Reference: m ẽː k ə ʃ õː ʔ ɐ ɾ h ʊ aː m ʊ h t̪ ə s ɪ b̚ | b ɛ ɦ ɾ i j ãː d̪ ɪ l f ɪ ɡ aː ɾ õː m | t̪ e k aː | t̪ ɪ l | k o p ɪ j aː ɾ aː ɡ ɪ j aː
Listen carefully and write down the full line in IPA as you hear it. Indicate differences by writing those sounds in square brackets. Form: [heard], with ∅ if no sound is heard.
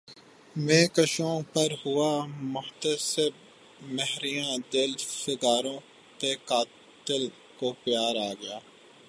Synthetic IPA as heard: m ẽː k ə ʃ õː [p] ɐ ɾ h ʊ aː m ʊ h t̪ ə s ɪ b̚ | [m] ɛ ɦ ɾ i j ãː d̪ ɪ l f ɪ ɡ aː ɾ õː [∅] | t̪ e k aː | t̪ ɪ l | k o p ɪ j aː ɾ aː ɡ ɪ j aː

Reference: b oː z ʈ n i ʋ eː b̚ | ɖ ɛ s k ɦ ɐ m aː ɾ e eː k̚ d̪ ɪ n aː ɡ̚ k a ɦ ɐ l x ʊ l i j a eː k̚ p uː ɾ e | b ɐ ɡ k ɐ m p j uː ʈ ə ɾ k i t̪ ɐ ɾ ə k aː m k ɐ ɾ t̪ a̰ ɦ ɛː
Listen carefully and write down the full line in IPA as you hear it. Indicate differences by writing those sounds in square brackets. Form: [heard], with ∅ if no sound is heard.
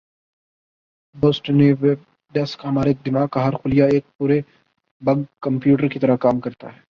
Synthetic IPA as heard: b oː [s] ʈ n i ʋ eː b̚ | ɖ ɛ s k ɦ ɐ m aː ɾ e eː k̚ d̪ ɪ [m] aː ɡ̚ k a ɦ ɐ [ɾ] x ʊ l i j a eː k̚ p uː ɾ e | b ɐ ɡ k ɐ m p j uː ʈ ə ɾ k i t̪ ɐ ɾ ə k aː m k ɐ ɾ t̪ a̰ ɦ ɛː

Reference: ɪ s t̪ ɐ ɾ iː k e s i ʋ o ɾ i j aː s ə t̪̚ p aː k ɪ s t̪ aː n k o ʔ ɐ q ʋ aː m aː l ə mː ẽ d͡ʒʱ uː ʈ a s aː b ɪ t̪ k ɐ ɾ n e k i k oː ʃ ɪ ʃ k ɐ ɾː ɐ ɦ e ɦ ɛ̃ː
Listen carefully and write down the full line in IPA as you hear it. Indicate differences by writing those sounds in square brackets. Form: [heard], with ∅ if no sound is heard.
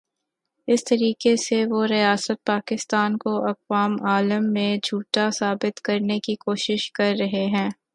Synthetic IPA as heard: ɪ s t̪ ɐ ɾ iː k e s [e] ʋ o ɾ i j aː s ə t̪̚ p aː k ɪ s t̪ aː n k o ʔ ɐ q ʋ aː m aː l ə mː ẽ d͡ʒʱ uː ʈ a s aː b ɪ t̪ k ɐ ɾ n e k i k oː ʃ ɪ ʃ k ɐ ɾː ɐ ɦ e ɦ ɛ̃ː

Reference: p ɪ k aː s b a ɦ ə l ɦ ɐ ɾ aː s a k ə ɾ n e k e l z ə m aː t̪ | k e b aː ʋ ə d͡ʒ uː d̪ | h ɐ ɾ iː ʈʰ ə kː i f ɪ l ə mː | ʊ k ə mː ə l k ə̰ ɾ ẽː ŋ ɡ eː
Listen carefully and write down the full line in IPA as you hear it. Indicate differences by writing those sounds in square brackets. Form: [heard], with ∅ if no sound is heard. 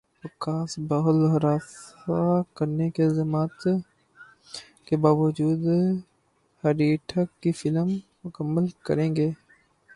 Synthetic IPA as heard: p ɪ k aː s b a ɦ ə l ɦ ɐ ɾ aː s a k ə ɾ n e k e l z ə m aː t̪ | k e b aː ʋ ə d͡ʒ uː d̪ | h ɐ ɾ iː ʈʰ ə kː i f ɪ l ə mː | ʊ k ə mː ə l k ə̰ ɾ ẽː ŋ ɡ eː

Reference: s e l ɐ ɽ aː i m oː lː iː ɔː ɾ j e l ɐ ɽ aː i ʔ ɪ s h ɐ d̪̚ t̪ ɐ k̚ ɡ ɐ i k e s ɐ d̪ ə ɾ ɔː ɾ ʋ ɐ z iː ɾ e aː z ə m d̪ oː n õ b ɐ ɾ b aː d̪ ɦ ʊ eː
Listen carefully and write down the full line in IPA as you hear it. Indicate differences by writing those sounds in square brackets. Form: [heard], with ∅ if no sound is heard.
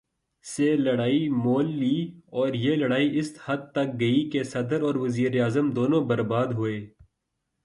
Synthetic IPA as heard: s e l ɐ ɽ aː i m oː lː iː ɔː ɾ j e l ɐ ɽ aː i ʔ ɪ s h ɐ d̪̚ t̪ ɐ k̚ ɡ ɐ i k e s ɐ d̪ ə ɾ ɔː ɾ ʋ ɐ z iː ɾ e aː z ə m d̪ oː n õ b ɐ ɾ b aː d̪ ɦ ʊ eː

